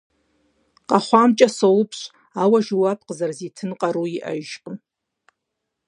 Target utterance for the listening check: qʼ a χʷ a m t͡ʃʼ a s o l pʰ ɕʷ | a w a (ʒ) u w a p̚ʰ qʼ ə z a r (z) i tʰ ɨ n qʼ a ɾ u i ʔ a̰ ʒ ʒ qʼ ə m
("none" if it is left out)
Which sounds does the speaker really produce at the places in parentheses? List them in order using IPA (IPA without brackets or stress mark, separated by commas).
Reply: ʒ, z